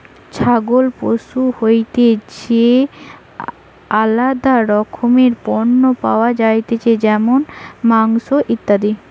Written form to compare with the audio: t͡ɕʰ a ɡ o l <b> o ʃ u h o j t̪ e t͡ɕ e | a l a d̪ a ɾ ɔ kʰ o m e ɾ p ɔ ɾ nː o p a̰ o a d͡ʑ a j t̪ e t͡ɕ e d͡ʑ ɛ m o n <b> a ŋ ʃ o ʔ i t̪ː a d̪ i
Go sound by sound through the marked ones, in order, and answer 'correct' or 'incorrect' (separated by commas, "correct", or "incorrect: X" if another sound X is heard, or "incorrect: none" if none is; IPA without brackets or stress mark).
incorrect: p, incorrect: m